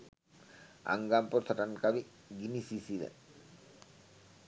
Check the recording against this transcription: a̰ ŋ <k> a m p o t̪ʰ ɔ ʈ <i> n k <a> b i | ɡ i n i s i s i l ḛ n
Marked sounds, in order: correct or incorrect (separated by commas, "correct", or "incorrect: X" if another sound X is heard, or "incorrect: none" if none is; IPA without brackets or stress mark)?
incorrect: ɡ, incorrect: a, correct